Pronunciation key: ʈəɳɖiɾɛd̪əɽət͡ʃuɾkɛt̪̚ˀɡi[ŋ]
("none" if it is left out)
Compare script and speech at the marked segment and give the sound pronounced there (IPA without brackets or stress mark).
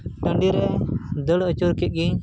ɲ